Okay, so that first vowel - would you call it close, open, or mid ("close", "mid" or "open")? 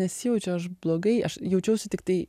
mid